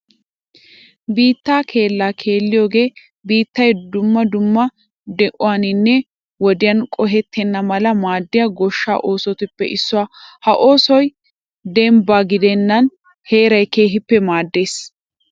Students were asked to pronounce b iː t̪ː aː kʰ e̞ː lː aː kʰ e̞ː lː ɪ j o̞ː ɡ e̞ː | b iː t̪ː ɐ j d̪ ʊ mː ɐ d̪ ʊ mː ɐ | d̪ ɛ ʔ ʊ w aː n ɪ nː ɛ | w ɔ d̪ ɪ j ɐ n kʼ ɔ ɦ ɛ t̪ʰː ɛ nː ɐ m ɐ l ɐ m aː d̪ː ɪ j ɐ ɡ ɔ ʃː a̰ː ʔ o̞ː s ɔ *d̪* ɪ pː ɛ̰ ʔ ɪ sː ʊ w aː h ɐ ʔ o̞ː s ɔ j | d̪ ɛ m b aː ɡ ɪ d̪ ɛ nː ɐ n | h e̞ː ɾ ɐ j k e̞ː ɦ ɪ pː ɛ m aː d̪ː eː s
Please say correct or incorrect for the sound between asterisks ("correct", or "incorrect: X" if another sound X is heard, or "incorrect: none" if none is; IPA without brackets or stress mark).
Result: incorrect: t̪